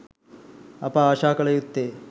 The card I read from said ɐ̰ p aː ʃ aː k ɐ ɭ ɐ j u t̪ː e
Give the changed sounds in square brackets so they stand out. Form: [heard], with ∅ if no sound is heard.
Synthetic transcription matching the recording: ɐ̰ p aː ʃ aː k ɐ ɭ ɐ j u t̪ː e